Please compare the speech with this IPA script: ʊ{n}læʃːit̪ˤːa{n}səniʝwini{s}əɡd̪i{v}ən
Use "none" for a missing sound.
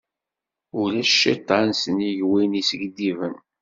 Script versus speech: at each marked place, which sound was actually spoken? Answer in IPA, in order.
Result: none, n, s, v

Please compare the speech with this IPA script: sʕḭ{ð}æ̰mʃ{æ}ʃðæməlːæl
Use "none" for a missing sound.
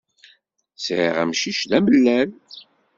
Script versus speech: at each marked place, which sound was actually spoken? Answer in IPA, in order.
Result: ʁ, i

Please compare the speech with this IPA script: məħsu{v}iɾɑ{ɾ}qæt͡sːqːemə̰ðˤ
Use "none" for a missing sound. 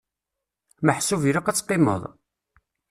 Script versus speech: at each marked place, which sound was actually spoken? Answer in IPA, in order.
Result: v, none

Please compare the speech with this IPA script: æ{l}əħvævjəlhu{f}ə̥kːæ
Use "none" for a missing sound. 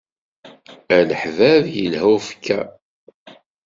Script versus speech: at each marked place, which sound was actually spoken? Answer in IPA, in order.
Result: l, f

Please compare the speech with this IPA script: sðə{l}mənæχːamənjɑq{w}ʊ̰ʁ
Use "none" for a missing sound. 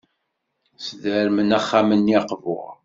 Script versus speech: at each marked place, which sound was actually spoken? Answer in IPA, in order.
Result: ɾ, v

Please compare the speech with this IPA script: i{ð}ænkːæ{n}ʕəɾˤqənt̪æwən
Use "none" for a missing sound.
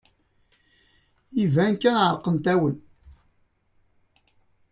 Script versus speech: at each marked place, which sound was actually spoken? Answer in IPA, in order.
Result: v, n

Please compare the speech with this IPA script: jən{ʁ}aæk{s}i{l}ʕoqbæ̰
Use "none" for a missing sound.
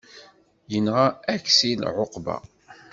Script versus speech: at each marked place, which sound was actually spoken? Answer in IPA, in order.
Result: ʁ, s, l

